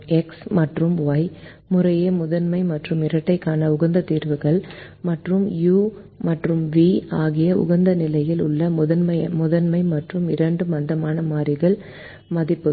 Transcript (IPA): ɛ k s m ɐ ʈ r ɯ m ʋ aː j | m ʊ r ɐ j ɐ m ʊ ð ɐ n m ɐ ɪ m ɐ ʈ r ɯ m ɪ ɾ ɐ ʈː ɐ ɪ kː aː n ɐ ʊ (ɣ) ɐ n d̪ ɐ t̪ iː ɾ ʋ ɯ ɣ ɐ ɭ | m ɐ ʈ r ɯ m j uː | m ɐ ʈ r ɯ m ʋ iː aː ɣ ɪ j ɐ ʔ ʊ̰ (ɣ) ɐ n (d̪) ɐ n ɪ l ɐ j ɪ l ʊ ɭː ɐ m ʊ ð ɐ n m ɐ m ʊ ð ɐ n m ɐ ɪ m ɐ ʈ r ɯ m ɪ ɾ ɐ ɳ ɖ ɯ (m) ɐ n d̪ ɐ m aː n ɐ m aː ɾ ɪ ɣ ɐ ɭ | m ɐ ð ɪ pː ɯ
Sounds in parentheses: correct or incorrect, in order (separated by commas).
correct, correct, correct, correct